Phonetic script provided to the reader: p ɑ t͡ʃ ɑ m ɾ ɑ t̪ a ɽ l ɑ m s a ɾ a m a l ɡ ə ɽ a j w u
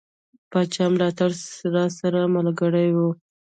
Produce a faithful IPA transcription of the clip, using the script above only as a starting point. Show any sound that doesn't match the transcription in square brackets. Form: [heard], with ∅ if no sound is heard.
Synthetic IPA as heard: p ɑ t͡ʃ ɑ m [l] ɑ t̪ a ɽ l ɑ [∅] s a ɾ a m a l ɡ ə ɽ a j w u